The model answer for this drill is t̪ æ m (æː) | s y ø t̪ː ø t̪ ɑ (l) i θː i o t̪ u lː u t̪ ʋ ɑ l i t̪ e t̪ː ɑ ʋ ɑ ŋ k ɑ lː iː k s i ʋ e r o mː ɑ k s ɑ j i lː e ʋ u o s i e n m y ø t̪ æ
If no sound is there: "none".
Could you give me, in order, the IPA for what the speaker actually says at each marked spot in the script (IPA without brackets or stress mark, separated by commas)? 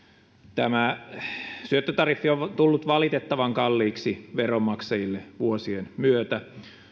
æ, r